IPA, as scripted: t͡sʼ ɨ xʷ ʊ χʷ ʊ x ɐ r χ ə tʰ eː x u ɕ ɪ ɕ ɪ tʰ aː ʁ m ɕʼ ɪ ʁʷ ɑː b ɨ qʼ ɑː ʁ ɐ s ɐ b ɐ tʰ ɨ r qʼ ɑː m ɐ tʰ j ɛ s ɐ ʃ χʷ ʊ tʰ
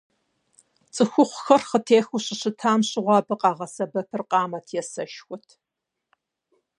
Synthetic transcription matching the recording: t͡sʼ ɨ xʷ ʊ χʷ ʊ x ɐ r χ ə tʰ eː x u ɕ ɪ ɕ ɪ tʰ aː m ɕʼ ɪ ʁʷ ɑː b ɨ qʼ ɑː ʁ ɐ s ɐ b ɐ pʰ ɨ r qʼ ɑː m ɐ tʰ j ɛ s ɐ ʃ xʷ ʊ tʰ